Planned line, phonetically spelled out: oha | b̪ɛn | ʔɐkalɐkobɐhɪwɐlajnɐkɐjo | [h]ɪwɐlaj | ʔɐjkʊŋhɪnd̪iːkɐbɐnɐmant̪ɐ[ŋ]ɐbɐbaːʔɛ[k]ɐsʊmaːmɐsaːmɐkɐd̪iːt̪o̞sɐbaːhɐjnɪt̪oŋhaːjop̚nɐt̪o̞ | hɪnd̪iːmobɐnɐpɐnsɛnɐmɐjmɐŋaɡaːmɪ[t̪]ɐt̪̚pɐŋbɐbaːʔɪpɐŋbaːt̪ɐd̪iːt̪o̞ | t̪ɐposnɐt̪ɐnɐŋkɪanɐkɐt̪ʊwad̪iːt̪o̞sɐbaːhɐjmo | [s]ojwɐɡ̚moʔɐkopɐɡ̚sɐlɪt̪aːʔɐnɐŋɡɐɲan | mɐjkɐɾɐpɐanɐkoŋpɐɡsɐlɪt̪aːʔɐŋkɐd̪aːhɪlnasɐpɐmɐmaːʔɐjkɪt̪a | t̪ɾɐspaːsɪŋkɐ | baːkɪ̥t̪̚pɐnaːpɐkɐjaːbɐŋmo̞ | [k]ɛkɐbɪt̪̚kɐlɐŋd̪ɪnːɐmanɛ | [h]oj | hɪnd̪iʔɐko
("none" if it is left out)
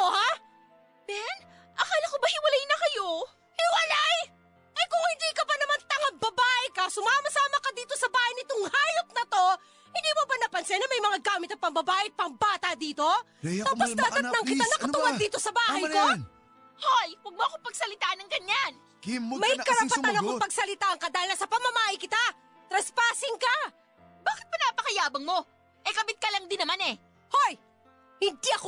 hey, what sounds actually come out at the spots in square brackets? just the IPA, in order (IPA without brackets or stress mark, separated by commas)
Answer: h, ŋ, k, t̪, h, ʔ, h